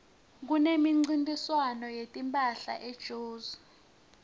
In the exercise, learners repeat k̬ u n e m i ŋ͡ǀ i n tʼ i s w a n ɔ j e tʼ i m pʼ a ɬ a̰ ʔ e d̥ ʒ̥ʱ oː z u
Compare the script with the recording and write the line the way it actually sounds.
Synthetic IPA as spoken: k̬ u n e m i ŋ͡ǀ i n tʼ i s w a n ɔ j e tʼ i m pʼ a ɬ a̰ ʔ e d̥ ʒ̥ʱ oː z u